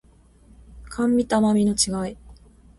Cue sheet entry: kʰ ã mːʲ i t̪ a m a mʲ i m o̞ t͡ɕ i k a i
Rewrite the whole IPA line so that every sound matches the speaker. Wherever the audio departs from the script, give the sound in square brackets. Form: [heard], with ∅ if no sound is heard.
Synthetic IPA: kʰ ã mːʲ i t̪ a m a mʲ i [n] o̞ t͡ɕ i [ɡ] a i